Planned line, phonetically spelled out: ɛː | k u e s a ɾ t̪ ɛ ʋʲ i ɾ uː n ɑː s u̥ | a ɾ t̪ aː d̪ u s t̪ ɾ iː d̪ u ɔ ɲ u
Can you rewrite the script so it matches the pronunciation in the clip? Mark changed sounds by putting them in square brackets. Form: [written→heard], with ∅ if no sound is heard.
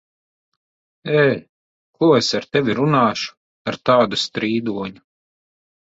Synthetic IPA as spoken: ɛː | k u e s a ɾ t̪ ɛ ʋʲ i ɾ [uː→u] n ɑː [s→ʃ] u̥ | a ɾ t̪ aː d̪ u s t̪ ɾ iː d̪ u ɔ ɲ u